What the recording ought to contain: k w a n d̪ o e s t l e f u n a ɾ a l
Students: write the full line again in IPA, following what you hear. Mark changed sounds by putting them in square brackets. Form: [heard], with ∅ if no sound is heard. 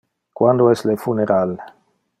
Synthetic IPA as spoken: k w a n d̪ o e s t l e f u n [e] ɾ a l